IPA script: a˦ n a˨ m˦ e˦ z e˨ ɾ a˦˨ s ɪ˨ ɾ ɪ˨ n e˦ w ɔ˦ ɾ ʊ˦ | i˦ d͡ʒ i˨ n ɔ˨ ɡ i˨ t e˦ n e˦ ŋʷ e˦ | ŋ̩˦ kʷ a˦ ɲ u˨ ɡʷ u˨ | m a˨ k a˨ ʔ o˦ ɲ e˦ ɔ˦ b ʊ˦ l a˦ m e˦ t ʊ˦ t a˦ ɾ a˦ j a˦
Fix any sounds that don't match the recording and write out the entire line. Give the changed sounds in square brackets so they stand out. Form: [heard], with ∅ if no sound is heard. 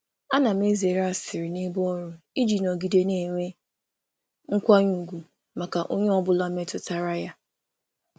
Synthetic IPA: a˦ n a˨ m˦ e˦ z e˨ ɾ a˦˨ s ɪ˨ ɾ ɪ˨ n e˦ [b] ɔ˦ ɾ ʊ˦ | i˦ d͡ʒ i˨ n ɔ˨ ɡ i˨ [d] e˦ n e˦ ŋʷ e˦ | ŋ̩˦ kʷ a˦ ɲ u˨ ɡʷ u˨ | m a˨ k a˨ ʔ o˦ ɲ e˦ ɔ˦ b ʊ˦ l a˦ m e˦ t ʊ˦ t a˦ ɾ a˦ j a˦